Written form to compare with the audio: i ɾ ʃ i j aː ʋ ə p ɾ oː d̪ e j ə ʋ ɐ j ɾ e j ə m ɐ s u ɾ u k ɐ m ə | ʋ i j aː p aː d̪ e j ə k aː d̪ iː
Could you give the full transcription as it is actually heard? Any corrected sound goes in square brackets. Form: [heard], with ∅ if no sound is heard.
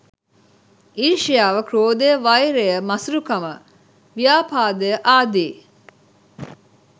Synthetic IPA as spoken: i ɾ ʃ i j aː ʋ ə [k] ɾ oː d̪ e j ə ʋ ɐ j ɾ e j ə m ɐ s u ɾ u k ɐ m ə | ʋ i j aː p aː d̪ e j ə [ʔ] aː d̪ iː